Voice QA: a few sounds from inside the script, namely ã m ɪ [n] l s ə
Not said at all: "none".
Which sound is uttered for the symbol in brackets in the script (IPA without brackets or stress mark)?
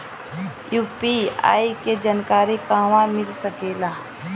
none